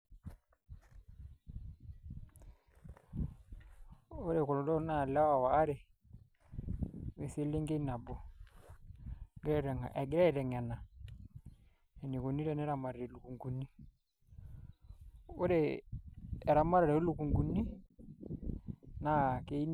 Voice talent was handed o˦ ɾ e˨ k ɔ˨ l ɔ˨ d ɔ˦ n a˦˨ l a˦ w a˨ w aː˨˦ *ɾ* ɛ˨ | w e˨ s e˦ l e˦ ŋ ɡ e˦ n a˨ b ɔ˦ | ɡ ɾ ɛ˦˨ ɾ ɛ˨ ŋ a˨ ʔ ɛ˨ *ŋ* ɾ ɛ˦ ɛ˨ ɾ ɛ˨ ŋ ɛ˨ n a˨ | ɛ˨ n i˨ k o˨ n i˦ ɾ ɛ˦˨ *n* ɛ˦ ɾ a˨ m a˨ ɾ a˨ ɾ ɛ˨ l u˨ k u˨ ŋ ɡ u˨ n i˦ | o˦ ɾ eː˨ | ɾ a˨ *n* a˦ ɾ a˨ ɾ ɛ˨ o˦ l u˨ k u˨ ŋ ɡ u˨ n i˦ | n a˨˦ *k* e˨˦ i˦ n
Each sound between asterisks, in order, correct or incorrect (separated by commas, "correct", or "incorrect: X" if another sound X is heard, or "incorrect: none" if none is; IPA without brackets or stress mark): correct, incorrect: ɡ, correct, incorrect: m, correct